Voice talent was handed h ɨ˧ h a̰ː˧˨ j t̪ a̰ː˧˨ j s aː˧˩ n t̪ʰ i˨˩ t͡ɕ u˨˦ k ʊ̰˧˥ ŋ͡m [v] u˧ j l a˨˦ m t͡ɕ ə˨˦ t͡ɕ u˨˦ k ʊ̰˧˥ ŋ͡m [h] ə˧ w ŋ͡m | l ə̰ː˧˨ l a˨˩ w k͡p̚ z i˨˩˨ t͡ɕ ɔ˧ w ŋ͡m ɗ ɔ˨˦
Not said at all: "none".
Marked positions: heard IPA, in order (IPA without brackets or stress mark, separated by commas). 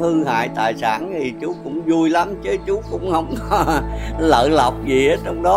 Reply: z, h